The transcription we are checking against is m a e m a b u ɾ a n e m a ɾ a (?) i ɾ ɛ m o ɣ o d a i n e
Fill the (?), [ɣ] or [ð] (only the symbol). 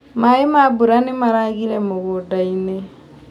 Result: ɣ